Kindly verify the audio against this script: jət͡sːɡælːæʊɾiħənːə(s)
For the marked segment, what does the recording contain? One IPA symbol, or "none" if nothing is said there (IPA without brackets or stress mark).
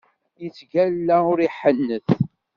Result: θ